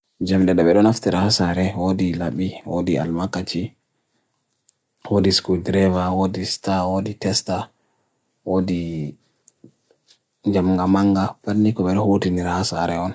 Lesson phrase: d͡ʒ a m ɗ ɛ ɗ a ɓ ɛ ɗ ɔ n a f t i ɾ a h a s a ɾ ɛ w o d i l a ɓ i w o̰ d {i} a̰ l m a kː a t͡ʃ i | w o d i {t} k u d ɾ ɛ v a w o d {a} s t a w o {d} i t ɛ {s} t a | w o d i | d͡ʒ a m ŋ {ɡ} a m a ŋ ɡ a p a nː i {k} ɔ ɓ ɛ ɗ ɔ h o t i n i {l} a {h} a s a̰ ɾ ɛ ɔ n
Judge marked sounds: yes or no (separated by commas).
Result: yes, no, no, yes, yes, yes, yes, no, yes